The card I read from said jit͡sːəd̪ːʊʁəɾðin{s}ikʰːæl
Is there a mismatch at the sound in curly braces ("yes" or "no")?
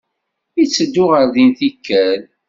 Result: yes